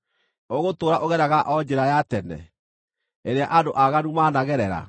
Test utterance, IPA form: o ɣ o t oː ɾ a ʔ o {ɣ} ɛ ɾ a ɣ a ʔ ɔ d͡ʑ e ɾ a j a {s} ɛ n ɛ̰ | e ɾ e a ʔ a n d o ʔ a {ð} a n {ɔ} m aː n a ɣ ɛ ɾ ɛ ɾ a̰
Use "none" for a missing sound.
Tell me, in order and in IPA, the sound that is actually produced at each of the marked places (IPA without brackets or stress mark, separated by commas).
ɣ, t, ɣ, u